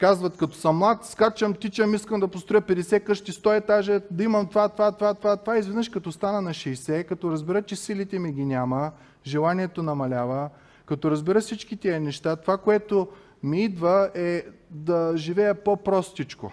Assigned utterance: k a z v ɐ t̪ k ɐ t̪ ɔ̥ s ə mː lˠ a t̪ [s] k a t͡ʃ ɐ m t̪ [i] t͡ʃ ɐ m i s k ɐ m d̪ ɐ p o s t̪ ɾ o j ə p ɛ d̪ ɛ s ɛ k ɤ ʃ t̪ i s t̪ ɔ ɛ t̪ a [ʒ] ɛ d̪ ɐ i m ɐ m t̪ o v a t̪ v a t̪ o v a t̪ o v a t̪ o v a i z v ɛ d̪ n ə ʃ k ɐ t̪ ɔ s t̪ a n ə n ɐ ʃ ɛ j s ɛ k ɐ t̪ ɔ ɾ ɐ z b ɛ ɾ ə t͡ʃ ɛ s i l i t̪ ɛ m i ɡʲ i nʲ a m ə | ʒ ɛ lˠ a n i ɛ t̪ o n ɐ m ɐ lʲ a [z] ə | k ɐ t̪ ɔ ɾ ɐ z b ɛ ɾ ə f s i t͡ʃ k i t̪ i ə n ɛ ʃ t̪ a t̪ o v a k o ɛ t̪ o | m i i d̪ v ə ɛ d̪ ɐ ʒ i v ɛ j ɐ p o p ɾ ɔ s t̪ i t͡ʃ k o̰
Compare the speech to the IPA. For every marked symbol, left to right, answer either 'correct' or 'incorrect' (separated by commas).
correct, correct, correct, incorrect